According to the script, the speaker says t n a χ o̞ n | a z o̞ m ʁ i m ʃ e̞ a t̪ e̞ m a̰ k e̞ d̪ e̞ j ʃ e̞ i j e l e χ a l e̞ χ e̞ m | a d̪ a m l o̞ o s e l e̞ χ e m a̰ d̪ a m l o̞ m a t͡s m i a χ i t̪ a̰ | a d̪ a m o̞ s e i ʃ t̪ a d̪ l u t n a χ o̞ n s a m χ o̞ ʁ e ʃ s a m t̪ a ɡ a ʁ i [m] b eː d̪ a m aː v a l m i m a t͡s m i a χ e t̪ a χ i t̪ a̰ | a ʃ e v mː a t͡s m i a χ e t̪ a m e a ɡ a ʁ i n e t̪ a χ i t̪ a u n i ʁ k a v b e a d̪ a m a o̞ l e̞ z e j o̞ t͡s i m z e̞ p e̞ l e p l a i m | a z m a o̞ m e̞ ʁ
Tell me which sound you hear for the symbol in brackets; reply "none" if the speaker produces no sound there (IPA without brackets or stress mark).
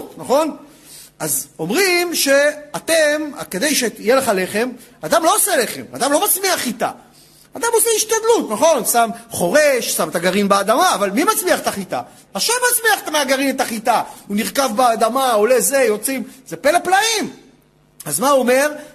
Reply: n